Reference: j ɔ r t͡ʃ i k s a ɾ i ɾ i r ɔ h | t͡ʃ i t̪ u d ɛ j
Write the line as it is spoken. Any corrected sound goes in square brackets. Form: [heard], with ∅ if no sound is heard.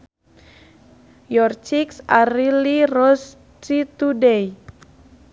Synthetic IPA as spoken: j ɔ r t͡ʃ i k s a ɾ i [l] i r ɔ [s] | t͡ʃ i t̪ u d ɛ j